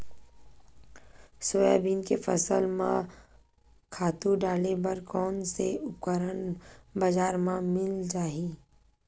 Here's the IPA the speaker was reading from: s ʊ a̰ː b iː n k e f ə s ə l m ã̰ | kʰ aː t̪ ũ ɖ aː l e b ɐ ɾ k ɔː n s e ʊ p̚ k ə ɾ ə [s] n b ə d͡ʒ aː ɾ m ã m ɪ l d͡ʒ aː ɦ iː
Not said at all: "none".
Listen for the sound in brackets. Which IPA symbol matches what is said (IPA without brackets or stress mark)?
none